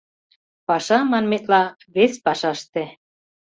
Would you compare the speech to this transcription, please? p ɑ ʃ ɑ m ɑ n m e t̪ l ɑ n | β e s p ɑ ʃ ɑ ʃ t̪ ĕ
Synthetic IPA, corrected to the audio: p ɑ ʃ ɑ m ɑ n m e t̪ l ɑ | β e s p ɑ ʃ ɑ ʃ t̪ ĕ

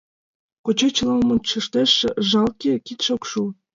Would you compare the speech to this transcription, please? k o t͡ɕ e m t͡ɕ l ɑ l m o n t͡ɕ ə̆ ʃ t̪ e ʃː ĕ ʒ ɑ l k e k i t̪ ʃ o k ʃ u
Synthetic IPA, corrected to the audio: k o t͡ɕ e t͡ɕ l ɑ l m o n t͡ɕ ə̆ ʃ t̪ e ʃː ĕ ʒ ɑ l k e k i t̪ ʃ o k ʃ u

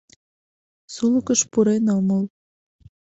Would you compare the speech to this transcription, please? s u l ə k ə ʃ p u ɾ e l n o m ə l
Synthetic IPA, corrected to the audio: s u l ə k ə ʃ p u ɾ e n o m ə l

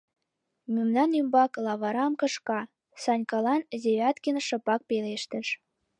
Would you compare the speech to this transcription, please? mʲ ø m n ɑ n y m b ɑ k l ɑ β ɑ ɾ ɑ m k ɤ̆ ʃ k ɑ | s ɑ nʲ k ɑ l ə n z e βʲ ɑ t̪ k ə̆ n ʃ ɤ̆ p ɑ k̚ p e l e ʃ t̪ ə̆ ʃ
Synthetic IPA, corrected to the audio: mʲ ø m n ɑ n y m b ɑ k l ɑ β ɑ ɾ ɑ m k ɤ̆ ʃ k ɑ | s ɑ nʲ k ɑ l ɑ n z e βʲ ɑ t̪ k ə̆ n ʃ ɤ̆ p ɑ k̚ p e l e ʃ t̪ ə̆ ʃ

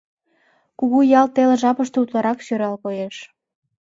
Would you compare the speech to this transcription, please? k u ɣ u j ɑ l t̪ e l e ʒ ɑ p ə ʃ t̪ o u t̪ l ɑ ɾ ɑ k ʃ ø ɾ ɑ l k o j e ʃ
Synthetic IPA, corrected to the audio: k u ɣ u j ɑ l t̪ e l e ʒ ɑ p ə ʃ t̪ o u t̪ l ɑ ɾ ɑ k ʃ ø ɾ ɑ l k o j e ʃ

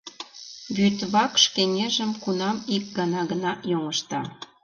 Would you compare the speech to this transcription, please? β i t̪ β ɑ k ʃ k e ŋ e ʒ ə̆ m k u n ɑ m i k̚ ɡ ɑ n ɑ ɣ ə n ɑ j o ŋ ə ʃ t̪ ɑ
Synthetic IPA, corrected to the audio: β y t̪ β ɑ k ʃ k e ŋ e ʒ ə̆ m k u n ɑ m i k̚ ɡ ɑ n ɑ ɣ ə n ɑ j o ŋ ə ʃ t̪ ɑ

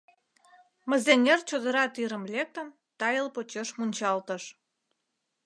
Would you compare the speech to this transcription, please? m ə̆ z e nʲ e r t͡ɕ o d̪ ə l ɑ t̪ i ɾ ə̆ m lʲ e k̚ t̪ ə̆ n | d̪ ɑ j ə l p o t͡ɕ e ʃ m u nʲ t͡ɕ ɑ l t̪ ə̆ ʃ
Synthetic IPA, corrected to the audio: m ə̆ z e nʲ e r t͡ɕ o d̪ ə ɾ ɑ t̪ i ɾ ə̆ m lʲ e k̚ t̪ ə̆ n | t̪ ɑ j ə l p o t͡ɕ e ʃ m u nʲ t͡ɕ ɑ l t̪ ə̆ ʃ

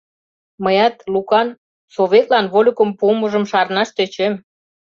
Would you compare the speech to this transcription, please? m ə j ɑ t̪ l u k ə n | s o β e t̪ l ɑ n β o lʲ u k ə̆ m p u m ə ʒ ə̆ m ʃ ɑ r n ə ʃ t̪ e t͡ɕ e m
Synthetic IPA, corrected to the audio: m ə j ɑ t̪ l u k ɑ n | s o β e t̪ l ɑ n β o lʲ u k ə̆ m p u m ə ʒ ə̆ m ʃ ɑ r n ɑ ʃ t̪ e t͡ɕ e m

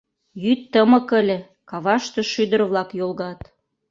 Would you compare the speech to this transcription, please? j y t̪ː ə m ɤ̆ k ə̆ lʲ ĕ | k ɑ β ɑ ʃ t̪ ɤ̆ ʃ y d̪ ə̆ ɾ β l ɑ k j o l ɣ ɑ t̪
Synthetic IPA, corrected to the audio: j y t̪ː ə m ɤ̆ k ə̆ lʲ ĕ | k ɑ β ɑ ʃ t̪ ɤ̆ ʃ y d̪ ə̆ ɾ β l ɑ k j o l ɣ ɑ t̪

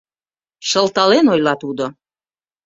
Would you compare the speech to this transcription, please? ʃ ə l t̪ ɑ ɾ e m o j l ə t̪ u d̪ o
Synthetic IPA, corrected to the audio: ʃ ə l t̪ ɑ l e n o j l ɑ t̪ u d̪ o

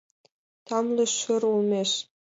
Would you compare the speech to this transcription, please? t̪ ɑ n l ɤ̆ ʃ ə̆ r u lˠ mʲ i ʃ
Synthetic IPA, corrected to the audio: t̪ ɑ m l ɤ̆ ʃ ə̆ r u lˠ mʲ e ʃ

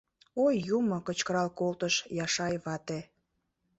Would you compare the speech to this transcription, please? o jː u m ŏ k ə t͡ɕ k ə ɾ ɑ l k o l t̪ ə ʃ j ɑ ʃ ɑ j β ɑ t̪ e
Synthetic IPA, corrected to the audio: o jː u m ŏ k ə t͡ɕ k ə ɾ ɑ l k o l t̪ ə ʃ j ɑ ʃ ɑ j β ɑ t̪ e

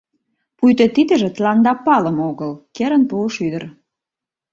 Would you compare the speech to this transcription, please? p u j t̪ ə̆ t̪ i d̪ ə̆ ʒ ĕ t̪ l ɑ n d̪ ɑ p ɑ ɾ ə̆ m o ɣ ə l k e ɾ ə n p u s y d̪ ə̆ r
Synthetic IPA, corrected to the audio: p u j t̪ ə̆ t̪ i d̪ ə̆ ʒ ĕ t̪ l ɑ n d̪ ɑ p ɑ l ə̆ m o ɣ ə l k e ɾ ə n p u ʃ y d̪ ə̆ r

